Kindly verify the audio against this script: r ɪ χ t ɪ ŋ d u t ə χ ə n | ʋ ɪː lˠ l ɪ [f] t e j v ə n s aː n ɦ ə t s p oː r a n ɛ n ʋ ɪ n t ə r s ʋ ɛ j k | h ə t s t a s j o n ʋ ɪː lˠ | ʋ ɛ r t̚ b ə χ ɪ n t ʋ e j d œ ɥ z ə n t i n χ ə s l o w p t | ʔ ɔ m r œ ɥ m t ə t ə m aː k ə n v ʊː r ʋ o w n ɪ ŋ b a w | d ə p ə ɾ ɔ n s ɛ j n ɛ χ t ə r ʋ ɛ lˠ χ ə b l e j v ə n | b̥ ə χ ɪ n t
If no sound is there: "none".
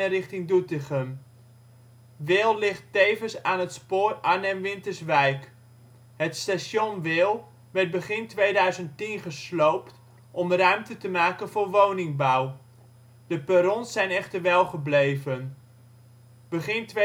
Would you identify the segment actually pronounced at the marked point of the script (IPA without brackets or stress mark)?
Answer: χ